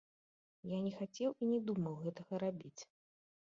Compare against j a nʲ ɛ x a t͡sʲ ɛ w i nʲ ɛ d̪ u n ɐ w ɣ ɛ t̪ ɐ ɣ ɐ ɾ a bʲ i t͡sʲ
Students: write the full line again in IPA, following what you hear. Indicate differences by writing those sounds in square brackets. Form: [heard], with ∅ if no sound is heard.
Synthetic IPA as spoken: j a nʲ ɛ x a t͡sʲ ɛ w i nʲ ɛ d̪ u [m] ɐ w ɣ ɛ t̪ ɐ ɣ ɐ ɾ a bʲ i t͡sʲ